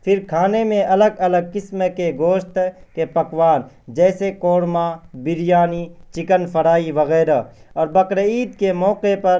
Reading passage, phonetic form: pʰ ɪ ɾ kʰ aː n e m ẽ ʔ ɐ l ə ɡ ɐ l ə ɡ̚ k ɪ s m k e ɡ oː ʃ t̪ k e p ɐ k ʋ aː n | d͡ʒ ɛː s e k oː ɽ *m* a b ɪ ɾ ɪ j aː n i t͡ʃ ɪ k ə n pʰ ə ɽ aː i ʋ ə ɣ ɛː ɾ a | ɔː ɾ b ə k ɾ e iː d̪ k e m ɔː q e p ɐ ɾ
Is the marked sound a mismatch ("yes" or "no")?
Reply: no